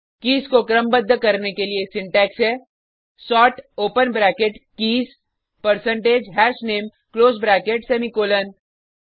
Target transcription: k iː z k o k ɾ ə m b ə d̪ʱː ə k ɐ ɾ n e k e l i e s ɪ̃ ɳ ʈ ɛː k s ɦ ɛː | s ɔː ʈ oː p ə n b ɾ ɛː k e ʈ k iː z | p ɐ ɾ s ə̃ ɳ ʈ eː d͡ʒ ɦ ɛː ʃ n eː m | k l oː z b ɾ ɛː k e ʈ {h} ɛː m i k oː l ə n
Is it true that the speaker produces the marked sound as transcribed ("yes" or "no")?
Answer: no